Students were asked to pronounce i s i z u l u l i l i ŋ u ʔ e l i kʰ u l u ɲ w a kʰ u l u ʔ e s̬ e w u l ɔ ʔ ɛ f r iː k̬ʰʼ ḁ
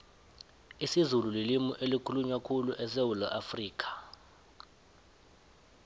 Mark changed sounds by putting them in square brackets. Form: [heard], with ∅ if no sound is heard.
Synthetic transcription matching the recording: i s i z u l u l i l i [m] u ʔ e l i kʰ u l u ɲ w a kʰ u l u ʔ [ɛ] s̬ e w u l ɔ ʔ [a] f r iː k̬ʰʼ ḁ